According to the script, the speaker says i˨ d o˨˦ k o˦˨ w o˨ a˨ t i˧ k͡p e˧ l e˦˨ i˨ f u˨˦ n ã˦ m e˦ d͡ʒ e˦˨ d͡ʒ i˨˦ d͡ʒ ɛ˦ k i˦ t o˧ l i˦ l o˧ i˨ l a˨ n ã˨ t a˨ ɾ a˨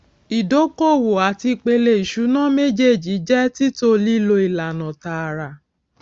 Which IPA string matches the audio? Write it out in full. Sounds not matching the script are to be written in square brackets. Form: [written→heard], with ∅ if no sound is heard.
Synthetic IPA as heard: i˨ d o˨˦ k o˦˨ w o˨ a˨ t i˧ k͡p e˧ l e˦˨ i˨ [f→ʃ] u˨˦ n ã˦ m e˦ d͡ʒ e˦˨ d͡ʒ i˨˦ d͡ʒ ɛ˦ [k→t] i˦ t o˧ l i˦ l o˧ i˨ l a˨ n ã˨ t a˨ ɾ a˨